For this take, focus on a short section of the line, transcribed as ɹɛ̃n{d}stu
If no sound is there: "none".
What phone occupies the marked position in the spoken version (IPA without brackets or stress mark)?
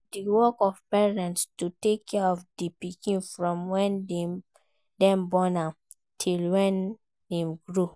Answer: t